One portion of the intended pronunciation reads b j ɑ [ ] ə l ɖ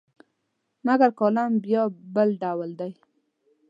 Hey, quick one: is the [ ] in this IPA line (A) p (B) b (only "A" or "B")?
B